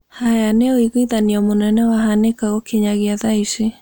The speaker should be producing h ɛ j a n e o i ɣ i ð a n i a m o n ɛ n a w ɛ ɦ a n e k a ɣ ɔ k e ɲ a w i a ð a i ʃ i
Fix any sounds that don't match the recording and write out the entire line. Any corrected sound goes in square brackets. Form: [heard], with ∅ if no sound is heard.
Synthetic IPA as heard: h [a] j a n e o i ɣ i ð a n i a m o n ɛ n [ɛ] w [a] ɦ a n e k a ɣ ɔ k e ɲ a [ɣ] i a ð a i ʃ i